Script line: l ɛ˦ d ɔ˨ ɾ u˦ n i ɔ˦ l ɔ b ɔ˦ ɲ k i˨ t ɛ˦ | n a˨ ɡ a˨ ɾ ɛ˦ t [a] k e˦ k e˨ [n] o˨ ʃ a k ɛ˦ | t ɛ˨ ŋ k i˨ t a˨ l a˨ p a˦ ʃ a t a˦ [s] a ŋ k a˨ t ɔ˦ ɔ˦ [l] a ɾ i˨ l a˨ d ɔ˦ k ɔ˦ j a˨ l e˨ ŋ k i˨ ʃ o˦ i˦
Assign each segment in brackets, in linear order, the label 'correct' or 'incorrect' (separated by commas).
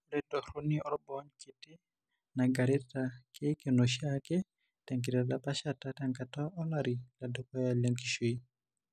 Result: correct, correct, incorrect, correct